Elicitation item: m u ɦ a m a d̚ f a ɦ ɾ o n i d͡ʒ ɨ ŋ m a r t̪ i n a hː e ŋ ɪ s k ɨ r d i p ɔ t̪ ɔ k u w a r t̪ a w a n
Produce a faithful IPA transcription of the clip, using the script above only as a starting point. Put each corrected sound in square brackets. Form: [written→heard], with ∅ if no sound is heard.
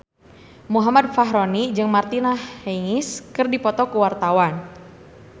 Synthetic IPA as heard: m u ɦ a m a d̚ f a ɦ ɾ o n i d͡ʒ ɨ ŋ m a r t̪ i n a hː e ŋ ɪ s k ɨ r d i p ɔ t̪ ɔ k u w a r t̪ a w a n

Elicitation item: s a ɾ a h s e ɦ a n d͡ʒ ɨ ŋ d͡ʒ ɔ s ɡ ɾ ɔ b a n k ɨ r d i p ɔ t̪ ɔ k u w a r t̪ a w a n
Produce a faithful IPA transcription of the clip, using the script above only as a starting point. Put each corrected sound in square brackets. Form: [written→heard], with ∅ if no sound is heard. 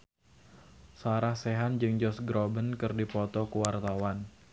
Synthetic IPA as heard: s a ɾ a h s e ɦ a n d͡ʒ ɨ ŋ d͡ʒ ɔ s ɡ ɾ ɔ b [a→ə] n k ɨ r d i p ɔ t̪ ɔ k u w a r t̪ a w a n

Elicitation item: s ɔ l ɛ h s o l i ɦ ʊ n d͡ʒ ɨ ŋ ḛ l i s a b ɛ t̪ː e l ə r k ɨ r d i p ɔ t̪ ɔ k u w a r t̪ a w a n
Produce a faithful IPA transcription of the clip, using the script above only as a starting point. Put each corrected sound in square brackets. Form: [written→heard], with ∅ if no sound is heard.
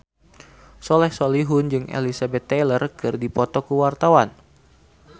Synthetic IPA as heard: s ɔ l ɛ h s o l i ɦ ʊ n d͡ʒ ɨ ŋ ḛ l i s a b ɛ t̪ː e l ə r k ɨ r d i p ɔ t̪ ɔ k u w a r t̪ a w a n

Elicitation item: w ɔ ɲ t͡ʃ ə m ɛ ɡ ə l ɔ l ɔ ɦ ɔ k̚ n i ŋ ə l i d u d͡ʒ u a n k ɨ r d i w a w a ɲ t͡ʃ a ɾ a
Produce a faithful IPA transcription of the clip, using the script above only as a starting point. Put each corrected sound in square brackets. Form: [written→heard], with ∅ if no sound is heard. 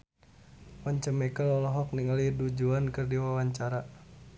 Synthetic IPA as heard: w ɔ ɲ t͡ʃ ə m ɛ [ɡ→k] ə l ɔ l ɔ ɦ ɔ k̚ n i ŋ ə l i d u d͡ʒ u a n k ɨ r d i w a w a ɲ t͡ʃ a ɾ a

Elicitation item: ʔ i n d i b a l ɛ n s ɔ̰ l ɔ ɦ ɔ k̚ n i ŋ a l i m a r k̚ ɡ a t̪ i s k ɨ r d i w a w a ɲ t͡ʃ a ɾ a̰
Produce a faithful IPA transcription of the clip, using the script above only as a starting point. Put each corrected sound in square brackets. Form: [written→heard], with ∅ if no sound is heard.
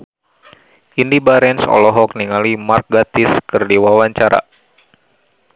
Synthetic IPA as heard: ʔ i n d i b a [l→ɾ] ɛ n s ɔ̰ l ɔ ɦ ɔ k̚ n i ŋ a l i m a r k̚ ɡ a t̪ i s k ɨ r d i w a w a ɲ t͡ʃ a ɾ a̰

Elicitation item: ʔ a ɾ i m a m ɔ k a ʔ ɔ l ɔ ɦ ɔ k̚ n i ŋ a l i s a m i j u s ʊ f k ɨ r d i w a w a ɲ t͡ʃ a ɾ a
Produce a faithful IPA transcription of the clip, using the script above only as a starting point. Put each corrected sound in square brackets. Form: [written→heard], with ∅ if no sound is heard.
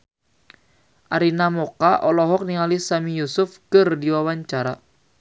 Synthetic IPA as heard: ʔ a ɾ i [m→n] a m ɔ k a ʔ ɔ l ɔ ɦ ɔ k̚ n i ŋ a l i s a m i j u s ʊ f k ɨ r d i w a w a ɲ t͡ʃ a ɾ a

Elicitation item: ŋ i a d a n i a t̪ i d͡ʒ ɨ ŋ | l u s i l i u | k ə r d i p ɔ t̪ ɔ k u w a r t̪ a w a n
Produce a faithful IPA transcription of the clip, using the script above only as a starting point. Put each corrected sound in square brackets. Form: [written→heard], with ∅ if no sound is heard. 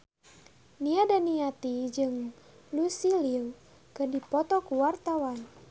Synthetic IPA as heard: [ŋ→n] i a d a n i a t̪ i d͡ʒ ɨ ŋ | l u s i l i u | k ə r d i p ɔ t̪ ɔ k u w a r t̪ a w a n

